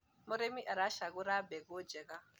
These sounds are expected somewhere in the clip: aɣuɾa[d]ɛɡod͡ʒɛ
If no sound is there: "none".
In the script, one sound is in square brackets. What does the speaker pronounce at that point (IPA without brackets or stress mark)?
b